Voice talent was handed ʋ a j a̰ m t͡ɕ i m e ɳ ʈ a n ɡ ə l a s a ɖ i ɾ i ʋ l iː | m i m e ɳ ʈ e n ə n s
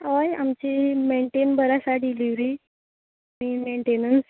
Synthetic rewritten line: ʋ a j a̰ m t͡ɕ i m e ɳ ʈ e n b ə ɾ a s a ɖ i l i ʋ ɾ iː | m i m e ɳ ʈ e n ə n s